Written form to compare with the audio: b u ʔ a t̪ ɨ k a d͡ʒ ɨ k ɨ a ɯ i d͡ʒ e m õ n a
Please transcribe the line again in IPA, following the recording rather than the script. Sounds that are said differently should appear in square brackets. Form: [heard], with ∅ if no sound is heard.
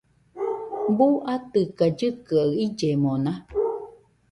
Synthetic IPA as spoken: b u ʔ a t̪ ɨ k a d͡ʒ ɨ k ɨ a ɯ i d͡ʒ e m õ n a